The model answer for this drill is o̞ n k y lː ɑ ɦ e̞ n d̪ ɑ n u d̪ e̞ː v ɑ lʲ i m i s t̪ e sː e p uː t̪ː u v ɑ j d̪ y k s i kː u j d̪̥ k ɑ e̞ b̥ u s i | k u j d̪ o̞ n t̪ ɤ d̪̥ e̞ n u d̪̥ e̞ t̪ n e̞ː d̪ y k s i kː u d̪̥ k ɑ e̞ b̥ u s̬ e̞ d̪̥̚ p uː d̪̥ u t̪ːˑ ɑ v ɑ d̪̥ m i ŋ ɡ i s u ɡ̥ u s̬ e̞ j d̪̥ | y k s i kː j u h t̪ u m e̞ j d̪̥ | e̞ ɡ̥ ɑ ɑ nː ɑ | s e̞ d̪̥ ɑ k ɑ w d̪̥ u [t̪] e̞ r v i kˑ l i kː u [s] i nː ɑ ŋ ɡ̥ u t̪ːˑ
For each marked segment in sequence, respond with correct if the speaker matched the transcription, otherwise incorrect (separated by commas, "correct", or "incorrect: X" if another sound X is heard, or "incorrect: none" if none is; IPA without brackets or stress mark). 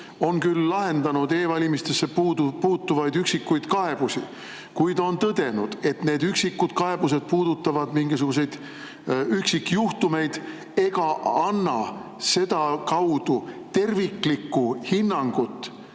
correct, incorrect: h